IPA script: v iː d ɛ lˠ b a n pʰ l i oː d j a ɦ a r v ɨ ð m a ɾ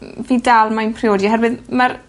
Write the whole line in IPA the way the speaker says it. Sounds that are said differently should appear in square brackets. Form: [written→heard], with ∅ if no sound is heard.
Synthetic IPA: v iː d [ɛ→a] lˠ [b→m] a n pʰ [l→r] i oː d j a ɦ [a→ɛ] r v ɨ ð m a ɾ